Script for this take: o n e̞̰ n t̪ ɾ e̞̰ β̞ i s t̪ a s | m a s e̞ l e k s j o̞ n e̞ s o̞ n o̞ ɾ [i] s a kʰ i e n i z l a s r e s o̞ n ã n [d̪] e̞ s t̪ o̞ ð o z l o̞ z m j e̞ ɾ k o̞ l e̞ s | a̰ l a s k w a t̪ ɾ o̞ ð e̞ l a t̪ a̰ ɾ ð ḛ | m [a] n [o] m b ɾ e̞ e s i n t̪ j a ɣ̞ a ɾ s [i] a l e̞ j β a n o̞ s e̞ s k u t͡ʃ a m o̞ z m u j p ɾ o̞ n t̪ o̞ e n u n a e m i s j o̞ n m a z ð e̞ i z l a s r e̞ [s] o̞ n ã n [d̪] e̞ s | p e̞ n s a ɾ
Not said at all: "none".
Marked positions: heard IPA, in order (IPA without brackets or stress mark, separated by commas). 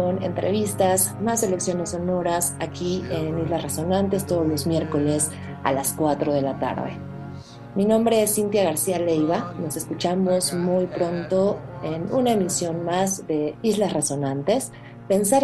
a, t̪, i, õ, i, s, t̪